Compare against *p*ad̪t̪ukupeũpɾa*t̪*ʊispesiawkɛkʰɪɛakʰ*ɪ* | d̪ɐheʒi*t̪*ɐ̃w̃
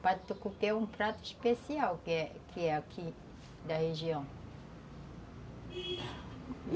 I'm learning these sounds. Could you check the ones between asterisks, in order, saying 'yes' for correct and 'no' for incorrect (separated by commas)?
yes, yes, no, no